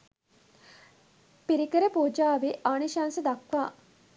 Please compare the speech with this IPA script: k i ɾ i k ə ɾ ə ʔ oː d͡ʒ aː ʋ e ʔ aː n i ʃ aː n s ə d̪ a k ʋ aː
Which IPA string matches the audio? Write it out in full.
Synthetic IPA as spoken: p i ɾ i k ə ɾ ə p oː d͡ʒ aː ʋ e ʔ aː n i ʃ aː n s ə d̪ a k ʋ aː